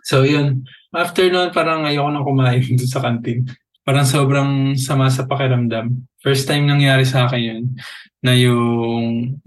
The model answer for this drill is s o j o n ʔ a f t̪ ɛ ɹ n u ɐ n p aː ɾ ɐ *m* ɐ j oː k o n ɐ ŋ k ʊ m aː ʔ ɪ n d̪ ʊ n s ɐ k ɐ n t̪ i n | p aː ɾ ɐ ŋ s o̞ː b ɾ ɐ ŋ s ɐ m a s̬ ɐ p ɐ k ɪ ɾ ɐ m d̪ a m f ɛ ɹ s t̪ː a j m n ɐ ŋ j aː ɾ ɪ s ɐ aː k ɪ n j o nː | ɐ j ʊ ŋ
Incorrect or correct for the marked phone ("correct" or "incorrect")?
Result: incorrect